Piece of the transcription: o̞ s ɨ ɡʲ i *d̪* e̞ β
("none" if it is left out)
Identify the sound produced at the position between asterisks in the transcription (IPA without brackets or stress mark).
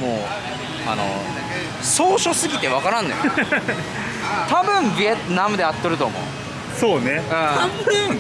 t̪